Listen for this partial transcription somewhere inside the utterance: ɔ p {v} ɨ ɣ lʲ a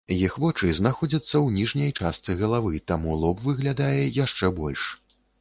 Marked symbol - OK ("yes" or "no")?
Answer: yes